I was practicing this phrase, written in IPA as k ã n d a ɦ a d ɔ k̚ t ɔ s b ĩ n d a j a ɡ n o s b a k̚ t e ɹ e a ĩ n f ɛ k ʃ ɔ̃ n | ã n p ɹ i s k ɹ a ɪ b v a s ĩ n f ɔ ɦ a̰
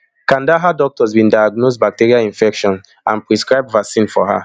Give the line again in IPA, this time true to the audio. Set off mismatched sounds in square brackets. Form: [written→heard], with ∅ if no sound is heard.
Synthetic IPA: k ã n d a ɦ a d ɔ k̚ t ɔ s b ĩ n d a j a ɡ n o s b a k̚ t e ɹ [e→i] a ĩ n f ɛ k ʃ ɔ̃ n | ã n p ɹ i s k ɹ a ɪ b v a s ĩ n f ɔ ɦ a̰